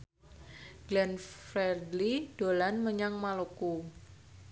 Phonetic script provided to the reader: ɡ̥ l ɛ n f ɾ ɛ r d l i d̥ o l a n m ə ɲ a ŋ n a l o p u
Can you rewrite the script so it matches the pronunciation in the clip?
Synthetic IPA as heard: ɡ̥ l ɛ n f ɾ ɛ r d l i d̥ o l a n m ə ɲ a ŋ m a l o k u